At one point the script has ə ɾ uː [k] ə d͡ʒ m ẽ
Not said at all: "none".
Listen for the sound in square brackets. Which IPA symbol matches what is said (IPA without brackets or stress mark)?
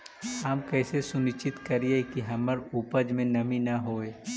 p